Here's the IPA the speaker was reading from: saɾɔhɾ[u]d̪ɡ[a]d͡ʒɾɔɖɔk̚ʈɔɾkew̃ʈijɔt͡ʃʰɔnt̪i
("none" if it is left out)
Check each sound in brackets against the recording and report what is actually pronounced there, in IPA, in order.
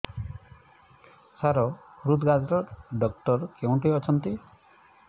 u, a

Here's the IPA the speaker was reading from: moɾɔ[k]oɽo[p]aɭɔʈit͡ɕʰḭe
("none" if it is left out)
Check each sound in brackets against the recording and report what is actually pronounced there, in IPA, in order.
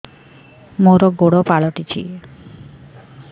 ɡ, p

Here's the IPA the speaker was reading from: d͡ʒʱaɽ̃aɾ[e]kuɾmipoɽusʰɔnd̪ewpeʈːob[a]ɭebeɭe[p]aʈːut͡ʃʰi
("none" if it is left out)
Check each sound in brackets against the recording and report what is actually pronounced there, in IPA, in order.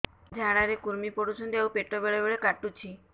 e, e, k

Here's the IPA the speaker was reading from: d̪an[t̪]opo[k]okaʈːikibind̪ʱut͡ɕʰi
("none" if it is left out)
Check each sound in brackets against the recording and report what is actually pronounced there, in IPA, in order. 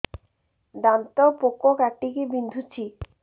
t̪, k

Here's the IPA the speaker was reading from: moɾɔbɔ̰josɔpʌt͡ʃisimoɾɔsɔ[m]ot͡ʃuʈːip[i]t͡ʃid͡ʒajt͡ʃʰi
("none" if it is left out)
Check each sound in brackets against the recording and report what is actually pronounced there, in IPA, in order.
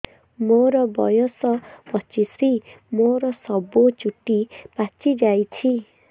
b, a

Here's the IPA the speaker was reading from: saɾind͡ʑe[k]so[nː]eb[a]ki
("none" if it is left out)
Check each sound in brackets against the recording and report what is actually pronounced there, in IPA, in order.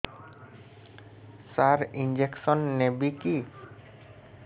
k, nː, i

